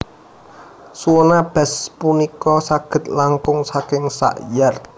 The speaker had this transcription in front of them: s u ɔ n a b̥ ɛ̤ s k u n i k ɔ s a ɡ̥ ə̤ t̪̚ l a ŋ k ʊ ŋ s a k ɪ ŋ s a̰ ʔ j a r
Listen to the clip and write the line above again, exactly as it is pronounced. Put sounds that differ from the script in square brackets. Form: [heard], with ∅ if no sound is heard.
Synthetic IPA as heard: s u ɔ n a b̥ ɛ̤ s [p] u n i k ɔ s a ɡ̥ ə̤ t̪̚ l a ŋ k ʊ ŋ s a k ɪ ŋ s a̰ ʔ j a r

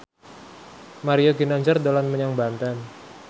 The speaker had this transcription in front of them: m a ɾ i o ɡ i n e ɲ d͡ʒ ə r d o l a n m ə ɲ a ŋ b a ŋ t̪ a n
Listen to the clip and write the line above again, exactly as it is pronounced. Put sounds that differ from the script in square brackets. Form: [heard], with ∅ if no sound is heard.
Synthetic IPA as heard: m a ɾ i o ɡ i n [a] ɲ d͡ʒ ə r d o l a n m ə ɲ a ŋ b a [n] t̪ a n

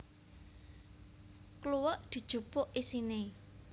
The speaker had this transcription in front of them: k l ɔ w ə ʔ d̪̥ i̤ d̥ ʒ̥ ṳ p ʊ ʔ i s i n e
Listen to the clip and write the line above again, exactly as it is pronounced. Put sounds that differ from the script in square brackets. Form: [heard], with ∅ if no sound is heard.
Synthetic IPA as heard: k l [u] w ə ʔ d̪̥ i̤ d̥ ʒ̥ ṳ p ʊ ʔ i s i n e

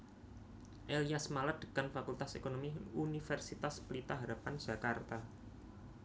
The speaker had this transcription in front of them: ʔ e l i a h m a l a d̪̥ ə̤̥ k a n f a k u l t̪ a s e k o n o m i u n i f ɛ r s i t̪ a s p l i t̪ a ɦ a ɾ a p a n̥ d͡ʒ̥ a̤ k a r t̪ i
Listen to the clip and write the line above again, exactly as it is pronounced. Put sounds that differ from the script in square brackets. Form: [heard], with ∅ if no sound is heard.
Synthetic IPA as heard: ʔ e l i a [s] m a l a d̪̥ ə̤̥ k a n f a k u l t̪ a s e k o n o m i u n i f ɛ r s i t̪ a s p l i t̪ a ɦ a ɾ a p a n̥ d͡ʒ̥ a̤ k a r t̪ [a]

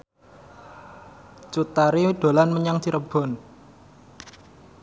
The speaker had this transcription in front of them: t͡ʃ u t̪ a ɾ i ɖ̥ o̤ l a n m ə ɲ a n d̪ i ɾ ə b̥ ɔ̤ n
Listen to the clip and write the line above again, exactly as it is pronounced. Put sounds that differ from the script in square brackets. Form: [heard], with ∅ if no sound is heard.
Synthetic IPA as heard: t͡ʃ u t̪ a ɾ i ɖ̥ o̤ l a n m ə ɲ a [ŋ] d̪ i ɾ ə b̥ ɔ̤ n

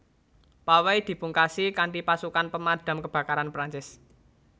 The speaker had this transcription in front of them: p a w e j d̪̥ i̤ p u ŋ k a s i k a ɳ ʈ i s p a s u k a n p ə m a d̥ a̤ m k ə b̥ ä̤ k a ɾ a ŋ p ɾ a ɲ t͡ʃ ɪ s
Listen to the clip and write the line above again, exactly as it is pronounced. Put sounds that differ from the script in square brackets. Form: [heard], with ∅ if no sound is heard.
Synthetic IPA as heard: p a w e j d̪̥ i̤ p u ŋ k a s i k a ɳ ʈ i [∅] p a s u k a n p ə m a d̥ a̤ m k ə b̥ ä̤ k a ɾ a [n] p ɾ a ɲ t͡ʃ ɪ s

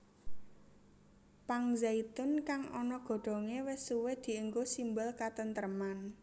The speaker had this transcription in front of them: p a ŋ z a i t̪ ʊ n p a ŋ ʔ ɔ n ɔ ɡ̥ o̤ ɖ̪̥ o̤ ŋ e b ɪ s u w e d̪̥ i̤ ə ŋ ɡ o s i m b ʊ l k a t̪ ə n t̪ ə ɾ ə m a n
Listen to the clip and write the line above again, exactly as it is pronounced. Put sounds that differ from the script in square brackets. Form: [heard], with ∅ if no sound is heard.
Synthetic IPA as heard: p a ŋ z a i t̪ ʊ n [k] a ŋ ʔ ɔ n ɔ ɡ̥ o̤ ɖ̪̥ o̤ ŋ e [w] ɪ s u w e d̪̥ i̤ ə ŋ ɡ o s i m b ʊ l k a t̪ ə n t̪ ə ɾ ə m a n

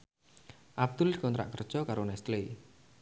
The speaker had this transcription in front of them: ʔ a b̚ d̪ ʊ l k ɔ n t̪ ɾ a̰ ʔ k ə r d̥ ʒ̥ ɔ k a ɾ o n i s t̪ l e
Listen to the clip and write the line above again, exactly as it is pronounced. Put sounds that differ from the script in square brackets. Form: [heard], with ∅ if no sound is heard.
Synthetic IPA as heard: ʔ a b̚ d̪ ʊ l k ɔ n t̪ ɾ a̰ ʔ k ə r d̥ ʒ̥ ɔ k a ɾ o n [ɛ] s t̪ l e

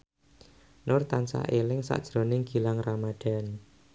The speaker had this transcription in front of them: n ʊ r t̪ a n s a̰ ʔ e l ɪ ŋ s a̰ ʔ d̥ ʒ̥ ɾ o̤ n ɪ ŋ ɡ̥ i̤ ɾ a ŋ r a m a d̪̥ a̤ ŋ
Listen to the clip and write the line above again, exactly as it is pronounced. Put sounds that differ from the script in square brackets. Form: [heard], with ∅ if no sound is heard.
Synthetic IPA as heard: n ʊ r t̪ a n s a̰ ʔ e l ɪ ŋ s a̰ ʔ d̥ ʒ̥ ɾ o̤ n ɪ ŋ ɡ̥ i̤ [l] a ŋ r a m a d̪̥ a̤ [n]

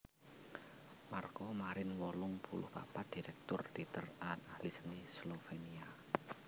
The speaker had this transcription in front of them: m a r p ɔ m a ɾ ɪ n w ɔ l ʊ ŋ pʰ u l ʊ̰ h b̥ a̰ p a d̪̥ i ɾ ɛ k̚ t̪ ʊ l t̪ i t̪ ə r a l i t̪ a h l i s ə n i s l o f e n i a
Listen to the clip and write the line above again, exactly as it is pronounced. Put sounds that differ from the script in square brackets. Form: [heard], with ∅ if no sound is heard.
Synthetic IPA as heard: m a r [k] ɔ m a ɾ ɪ n w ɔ l ʊ ŋ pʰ u l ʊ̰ h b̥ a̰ p a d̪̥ i ɾ ɛ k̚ t̪ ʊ [r] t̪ i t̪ ə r a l [a] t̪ a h l i s ə n i s l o f e n i a

